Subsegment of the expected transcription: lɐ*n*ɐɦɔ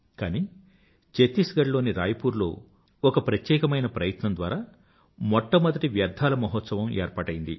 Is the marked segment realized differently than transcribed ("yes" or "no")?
yes